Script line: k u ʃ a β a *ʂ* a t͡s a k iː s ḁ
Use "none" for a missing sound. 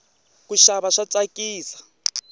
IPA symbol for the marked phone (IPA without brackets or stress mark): ʂ